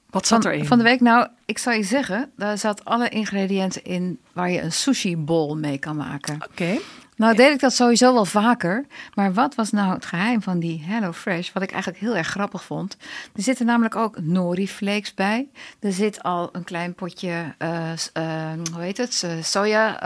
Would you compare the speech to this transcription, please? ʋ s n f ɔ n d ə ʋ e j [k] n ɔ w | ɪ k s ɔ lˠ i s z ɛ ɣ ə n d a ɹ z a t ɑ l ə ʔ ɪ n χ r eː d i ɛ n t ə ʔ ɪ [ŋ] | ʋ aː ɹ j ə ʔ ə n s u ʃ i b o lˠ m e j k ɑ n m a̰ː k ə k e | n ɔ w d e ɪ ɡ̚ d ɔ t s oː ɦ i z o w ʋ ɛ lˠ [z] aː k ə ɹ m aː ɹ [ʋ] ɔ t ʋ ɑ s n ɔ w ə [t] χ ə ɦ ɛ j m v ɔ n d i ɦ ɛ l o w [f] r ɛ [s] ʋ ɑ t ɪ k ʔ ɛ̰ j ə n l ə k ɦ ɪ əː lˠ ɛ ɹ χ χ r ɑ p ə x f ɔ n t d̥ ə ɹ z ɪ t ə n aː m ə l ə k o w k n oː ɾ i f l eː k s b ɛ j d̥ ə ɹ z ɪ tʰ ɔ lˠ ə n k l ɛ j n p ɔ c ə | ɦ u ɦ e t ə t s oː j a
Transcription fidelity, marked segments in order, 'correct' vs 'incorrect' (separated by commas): correct, incorrect, incorrect, correct, correct, correct, incorrect